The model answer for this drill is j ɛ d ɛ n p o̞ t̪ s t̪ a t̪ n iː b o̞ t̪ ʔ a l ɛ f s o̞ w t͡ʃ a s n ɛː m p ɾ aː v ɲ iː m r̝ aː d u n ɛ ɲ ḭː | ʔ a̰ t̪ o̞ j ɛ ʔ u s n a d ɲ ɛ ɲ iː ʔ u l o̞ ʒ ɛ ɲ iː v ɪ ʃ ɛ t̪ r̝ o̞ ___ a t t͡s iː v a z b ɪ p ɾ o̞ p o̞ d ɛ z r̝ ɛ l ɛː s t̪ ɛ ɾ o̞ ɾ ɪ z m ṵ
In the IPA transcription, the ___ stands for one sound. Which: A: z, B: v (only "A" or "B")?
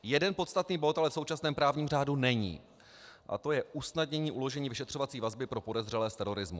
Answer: B